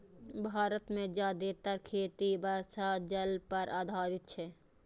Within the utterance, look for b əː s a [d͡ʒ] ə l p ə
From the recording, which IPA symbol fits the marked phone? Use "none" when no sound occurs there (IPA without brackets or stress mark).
d͡ʒ